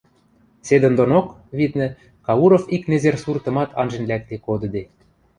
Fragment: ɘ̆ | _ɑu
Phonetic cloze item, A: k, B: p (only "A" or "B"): A